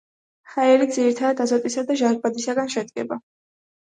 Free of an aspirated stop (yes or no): no